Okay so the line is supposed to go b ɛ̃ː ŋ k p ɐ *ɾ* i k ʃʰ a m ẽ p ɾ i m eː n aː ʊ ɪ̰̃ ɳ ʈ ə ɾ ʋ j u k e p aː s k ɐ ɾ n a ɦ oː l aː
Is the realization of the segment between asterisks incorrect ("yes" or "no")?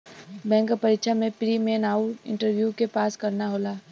no